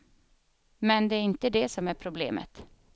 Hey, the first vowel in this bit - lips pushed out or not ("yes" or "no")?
no